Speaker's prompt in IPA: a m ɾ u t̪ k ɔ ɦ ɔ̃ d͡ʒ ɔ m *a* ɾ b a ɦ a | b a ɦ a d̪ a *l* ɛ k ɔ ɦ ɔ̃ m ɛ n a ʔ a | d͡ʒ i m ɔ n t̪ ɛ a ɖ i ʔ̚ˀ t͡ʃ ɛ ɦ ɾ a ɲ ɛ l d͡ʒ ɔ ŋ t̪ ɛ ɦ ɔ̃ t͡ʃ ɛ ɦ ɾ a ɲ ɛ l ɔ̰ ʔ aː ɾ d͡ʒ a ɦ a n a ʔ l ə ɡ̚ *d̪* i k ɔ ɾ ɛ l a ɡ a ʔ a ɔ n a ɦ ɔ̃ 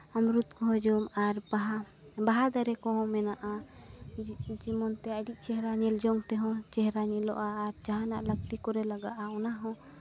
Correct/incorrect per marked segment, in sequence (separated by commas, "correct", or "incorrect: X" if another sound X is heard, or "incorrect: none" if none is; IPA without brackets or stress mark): correct, incorrect: ɾ, incorrect: t̪